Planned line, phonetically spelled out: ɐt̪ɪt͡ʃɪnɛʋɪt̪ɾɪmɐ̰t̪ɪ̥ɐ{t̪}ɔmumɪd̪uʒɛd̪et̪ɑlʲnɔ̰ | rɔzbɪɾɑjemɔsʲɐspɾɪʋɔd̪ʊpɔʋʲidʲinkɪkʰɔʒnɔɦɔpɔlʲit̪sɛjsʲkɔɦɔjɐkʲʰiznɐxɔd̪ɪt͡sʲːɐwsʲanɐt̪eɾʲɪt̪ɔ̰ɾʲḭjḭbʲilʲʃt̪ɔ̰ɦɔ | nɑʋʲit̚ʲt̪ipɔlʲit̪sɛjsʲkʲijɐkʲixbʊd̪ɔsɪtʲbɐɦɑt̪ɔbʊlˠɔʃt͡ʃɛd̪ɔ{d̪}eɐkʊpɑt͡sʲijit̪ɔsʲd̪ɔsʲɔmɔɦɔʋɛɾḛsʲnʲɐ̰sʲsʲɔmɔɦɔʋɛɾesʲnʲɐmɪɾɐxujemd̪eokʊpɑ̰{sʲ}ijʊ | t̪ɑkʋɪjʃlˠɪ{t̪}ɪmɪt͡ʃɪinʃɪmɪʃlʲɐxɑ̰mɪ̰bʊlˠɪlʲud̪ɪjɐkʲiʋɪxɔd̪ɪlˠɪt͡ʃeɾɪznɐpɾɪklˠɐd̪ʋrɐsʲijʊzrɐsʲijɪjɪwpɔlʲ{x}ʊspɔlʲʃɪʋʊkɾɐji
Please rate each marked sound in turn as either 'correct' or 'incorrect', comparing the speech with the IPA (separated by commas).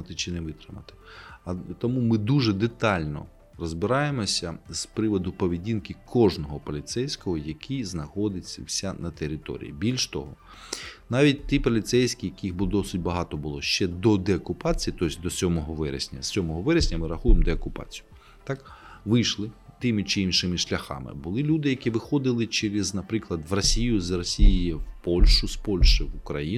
correct, correct, incorrect, correct, incorrect